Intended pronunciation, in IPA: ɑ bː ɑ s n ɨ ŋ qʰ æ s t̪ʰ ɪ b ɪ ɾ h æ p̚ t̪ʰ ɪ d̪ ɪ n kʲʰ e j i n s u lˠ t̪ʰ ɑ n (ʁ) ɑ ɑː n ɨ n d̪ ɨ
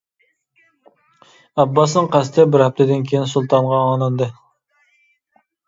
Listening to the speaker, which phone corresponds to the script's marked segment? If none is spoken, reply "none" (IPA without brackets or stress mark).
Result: ʁ